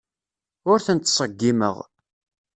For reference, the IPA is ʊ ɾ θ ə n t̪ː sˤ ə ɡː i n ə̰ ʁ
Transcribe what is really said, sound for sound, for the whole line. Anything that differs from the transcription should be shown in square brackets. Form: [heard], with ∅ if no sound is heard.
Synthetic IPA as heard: ʊ ɾ θ ə n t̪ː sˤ ə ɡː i [m] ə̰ ʁ